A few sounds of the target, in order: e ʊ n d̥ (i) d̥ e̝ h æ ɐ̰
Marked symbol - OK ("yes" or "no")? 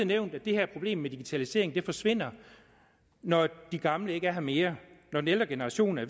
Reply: no